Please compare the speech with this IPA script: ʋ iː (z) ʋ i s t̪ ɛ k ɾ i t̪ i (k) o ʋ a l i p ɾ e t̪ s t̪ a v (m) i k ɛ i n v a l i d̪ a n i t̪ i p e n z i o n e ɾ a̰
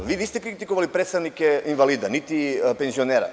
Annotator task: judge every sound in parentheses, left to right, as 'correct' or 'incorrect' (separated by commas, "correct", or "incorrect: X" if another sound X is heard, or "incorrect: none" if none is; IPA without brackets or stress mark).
incorrect: none, correct, incorrect: n